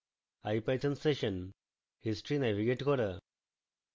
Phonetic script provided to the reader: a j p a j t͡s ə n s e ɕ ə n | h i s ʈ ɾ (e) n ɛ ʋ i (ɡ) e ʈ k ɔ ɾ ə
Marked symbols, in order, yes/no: no, yes

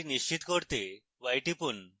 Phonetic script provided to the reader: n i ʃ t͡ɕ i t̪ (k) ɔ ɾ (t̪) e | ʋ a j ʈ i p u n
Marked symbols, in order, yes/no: yes, yes

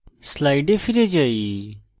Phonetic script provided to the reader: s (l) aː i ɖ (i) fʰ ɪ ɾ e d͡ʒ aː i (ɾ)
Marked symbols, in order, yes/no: yes, no, no

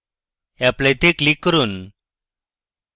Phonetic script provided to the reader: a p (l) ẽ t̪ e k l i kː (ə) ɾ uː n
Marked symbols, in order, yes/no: yes, yes

